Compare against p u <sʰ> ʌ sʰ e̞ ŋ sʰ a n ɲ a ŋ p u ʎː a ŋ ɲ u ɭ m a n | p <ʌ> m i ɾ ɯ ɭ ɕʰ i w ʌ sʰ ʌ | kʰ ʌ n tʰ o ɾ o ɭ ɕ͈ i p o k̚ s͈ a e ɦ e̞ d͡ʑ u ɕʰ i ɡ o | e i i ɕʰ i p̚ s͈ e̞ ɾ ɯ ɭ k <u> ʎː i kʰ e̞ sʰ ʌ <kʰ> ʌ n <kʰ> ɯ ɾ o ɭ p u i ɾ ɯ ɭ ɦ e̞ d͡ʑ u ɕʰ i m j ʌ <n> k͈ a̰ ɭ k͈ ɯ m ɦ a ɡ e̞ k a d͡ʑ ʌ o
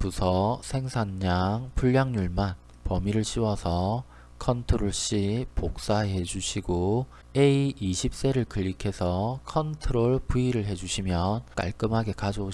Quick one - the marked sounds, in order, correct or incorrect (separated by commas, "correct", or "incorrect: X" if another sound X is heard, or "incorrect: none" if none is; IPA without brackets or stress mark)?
correct, correct, incorrect: ɯ, correct, incorrect: tʰ, correct